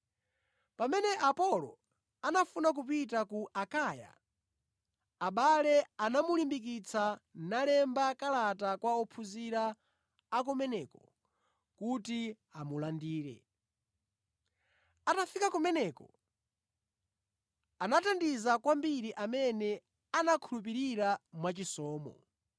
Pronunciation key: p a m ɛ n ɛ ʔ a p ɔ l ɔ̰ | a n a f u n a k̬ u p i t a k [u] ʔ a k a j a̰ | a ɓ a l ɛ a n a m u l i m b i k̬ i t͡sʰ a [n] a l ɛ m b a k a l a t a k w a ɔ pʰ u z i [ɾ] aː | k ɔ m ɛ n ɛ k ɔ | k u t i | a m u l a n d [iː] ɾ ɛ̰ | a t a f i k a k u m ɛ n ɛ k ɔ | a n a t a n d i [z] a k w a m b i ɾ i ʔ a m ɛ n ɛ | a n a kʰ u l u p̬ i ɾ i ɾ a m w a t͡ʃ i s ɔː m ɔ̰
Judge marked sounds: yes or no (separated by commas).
yes, yes, yes, yes, yes